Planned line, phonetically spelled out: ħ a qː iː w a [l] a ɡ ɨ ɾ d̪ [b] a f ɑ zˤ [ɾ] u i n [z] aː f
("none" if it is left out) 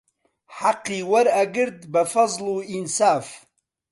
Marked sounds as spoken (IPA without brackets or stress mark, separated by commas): ɾ, b, l, s